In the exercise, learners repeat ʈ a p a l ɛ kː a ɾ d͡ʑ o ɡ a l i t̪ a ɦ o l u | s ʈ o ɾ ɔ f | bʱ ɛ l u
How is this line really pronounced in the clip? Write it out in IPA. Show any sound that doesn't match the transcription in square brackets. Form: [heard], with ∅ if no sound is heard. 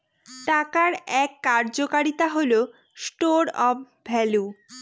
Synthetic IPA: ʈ a [k] a [ɾ] ɛ kː a ɾ d͡ʑ o [k] a [ɾ] i t̪ a ɦ o l [o] | s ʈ o ɾ ɔ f | bʱ ɛ l u